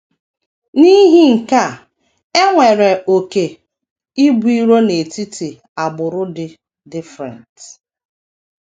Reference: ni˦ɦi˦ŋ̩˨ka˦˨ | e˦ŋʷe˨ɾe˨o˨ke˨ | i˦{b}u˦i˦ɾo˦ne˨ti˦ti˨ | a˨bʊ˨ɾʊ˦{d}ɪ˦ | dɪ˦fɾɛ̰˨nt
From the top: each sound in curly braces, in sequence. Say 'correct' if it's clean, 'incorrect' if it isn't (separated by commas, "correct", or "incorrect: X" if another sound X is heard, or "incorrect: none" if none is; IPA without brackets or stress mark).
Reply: correct, correct